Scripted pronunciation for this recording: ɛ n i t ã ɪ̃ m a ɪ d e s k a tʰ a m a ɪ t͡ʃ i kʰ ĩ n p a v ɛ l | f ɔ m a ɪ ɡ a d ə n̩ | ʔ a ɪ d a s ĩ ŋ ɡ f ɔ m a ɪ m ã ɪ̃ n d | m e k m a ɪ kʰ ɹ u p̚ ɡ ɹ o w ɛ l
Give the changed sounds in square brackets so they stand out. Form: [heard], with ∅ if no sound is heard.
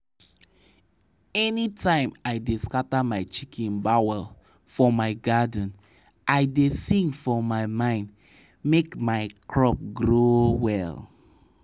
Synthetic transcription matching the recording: ɛ n i t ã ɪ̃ m a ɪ d e s k a [t] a m a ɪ t͡ʃ i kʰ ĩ n [b] a [w] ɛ l | f ɔ m a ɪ ɡ a d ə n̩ | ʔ a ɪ d [e] s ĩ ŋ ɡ f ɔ m a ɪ m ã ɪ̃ n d | m e k m a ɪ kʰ ɹ [ɔ] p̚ ɡ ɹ o w ɛ l